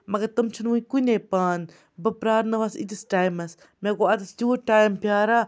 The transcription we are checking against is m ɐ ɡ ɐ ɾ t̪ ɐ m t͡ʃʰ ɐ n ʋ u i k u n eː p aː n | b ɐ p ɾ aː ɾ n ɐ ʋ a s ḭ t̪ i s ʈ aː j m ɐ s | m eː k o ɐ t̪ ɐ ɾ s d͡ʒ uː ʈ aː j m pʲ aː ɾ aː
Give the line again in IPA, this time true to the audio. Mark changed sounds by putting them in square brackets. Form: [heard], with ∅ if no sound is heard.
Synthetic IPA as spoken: m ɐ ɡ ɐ ɾ t̪ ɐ m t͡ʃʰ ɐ n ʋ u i k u n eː p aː n | b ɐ p ɾ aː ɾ n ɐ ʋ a s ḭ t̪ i s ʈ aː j m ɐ s | m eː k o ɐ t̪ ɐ [∅] s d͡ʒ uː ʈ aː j m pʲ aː ɾ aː